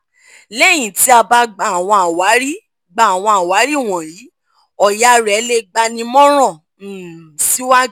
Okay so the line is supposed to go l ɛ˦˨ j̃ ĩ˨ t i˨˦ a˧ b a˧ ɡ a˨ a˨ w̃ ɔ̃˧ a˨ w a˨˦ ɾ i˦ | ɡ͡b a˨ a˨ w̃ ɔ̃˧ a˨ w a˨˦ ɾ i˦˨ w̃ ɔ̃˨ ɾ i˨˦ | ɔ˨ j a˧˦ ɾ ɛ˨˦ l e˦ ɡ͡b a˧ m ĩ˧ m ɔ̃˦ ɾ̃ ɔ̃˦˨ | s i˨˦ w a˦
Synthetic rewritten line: l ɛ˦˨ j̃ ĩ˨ t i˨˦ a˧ b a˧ ɡ͡b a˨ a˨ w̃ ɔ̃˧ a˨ w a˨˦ ɾ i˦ | ɡ͡b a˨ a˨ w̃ ɔ̃˧ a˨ w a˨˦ ɾ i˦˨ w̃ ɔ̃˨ ɾ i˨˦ | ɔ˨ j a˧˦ ɾ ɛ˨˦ l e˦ ɡ͡b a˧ n ĩ˧ m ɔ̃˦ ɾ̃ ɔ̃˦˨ | s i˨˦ w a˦